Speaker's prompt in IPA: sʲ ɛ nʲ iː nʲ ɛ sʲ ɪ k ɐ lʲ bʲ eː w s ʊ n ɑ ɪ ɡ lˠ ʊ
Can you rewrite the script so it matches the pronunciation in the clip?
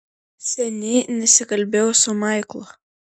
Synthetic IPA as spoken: sʲ ɛ nʲ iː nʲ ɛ sʲ ɪ k ɐ lʲ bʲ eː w s ʊ m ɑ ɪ k lˠ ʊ

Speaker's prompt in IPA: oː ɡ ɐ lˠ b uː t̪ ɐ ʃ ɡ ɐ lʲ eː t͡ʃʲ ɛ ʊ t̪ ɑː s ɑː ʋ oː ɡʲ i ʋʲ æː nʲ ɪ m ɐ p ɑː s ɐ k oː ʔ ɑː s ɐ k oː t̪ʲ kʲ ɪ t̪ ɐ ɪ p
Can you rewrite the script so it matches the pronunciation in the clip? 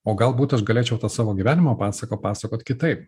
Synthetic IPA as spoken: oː ɡ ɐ lˠ b uː t̪ ɐ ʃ ɡ ɐ lʲ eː t͡ʃʲ ɛ ʊ t̪ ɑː s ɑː ʋ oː ɡʲ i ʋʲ æː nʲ ɪ m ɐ p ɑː s ɐ k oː p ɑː s ɐ k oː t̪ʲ kʲ ɪ t̪ ɐ ɪ p

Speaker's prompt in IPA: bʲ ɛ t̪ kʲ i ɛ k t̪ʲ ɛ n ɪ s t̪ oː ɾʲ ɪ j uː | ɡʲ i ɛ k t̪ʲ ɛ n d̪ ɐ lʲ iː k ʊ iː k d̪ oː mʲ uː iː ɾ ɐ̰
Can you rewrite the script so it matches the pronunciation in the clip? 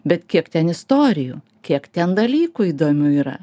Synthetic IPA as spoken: bʲ ɛ t̪ kʲ i ɛ k t̪ʲ ɛ n ɪ s t̪ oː ɾʲ ɪ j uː | kʲ i ɛ k t̪ʲ ɛ n d̪ ɐ lʲ iː k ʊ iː d̪ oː mʲ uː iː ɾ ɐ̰

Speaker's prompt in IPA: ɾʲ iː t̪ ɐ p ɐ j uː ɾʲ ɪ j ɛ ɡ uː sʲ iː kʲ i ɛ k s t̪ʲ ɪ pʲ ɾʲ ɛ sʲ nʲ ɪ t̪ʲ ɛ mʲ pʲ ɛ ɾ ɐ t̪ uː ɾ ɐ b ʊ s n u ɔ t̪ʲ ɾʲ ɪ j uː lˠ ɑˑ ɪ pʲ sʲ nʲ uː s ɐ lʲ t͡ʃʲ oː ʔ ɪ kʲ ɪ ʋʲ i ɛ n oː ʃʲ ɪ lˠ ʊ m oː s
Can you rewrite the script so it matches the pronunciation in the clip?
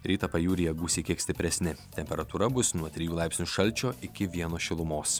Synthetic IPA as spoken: ɾʲ iː t̪ ɐ p ɐ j uː ɾʲ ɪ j ɛ ɡ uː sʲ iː kʲ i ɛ k s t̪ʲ ɪ pʲ ɾʲ ɛ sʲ nʲ ɪ t̪ʲ ɛ mʲ pʲ ɛ ɾ ɐ t̪ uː ɾ ɐ b ʊ s n u ɔ t̪ʲ ɾʲ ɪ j uː lˠ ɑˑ ɪ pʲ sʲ nʲ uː ʃ ɐ lʲ t͡ʃʲ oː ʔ ɪ kʲ ɪ ʋʲ i ɛ n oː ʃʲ ɪ lˠ ʊ m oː s

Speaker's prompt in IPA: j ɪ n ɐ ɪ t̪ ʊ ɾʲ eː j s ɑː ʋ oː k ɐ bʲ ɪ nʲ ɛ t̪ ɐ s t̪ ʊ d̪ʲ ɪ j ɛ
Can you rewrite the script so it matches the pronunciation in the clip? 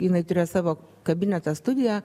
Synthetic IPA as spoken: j ɪ n ɐ ɪ t̪ ʊ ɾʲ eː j s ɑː ʋ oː k ɐ bʲ ɪ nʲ ɛ t̪ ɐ s t̪ ʊ d̪ʲ ɪ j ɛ

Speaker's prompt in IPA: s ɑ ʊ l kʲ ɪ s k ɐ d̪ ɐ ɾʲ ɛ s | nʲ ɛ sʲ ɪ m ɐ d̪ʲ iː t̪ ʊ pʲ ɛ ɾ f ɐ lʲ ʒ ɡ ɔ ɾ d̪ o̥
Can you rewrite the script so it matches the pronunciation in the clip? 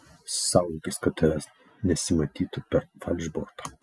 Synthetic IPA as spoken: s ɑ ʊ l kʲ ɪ s k ɐ t̪ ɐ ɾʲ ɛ s | nʲ ɛ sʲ ɪ m ɐ t̪ʲ iː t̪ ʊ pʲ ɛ ɾ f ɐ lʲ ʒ b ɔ ɾ t̪ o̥

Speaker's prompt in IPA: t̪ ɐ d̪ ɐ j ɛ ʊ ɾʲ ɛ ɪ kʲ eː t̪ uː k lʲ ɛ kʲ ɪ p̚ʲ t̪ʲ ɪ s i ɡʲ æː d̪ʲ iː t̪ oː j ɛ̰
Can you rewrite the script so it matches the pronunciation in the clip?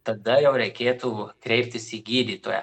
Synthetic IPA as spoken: t̪ ɐ d̪ ɐ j ɛ ʊ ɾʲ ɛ ɪ kʲ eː t̪ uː k ɾʲ ɛ ɪ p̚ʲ t̪ʲ ɪ s i ɡʲ iː d̪ʲ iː t̪ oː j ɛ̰

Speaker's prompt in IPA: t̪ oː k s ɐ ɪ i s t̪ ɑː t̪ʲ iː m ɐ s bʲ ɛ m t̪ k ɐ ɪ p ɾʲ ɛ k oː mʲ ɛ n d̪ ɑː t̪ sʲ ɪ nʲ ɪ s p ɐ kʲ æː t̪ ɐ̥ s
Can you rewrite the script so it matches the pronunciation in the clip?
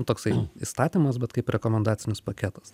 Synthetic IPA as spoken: t̪ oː k s ɐ ɪ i s t̪ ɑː t̪ʲ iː m ɐ s bʲ ɛ t̪ k ɐ ɪ p ɾʲ ɛ k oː mʲ ɛ n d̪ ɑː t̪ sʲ ɪ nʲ ɪ s p ɐ kʲ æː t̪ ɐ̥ s

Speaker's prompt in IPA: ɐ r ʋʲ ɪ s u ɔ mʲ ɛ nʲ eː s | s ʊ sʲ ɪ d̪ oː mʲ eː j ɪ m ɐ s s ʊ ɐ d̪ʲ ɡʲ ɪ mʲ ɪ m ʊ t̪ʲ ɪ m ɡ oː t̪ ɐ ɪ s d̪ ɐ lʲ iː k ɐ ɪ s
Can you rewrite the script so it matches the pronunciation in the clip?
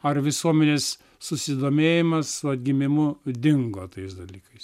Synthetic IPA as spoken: ɐ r ʋʲ ɪ s u ɔ mʲ ɛ nʲ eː s | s ʊ sʲ ɪ d̪ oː mʲ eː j ɪ m ɐ s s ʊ ɐ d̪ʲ ɡʲ ɪ mʲ ɪ m ʊ d̪ʲ ɪ ŋ ɡ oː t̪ ɐ ɪ s d̪ ɐ lʲ iː k ɐ ɪ s

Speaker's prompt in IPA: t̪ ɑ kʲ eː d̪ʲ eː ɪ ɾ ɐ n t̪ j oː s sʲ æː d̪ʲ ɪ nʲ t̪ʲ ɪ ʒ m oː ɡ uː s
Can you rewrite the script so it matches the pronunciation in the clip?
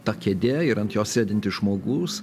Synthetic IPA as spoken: t̪ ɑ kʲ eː d̪ʲ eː ɪ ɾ ɐ n t̪ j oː s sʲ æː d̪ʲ ɪ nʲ t̪ʲ ɪ ʒ m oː ɡ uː s

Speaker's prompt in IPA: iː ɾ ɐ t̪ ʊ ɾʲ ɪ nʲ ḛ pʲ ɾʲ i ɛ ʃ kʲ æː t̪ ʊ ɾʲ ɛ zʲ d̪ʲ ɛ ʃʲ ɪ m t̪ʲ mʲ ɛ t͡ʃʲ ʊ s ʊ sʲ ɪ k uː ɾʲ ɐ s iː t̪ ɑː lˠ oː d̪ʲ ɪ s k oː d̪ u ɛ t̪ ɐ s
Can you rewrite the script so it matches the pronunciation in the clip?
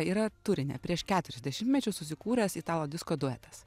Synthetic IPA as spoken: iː ɾ ɐ t̪ ʊ ɾʲ ɪ nʲ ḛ pʲ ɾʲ i ɛ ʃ kʲ æː t̪ ʊ ɾʲ ɛ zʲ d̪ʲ ɛ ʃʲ ɪ m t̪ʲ mʲ ɛ t͡ʃʲ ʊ s ʊ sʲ ɪ k uː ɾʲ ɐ s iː t̪ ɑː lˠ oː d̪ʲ ɪ s k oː d̪ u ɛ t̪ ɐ s

